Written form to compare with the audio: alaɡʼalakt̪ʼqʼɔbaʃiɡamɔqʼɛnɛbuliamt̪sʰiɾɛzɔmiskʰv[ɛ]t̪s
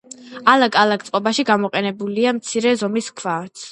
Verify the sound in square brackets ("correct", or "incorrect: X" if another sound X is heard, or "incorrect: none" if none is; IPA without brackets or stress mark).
incorrect: a